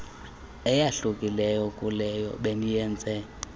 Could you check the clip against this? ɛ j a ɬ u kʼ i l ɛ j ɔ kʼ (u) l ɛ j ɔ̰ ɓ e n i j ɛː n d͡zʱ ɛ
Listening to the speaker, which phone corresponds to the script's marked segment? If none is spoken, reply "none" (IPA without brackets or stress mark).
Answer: u